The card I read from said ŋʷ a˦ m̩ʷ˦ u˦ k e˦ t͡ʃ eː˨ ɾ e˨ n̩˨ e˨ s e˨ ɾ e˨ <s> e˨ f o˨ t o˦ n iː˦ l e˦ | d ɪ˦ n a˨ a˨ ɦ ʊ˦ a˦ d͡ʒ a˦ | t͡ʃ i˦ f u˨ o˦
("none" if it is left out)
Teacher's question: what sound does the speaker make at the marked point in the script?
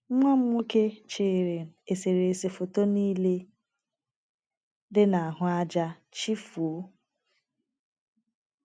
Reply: s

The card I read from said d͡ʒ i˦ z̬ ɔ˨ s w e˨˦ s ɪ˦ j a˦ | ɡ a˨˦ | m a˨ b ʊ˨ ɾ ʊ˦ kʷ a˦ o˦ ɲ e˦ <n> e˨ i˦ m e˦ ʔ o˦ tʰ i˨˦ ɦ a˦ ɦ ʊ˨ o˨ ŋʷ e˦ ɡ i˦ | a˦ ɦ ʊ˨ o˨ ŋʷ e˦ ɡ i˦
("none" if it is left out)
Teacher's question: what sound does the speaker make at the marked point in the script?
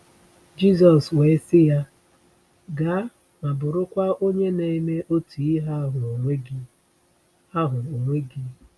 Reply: n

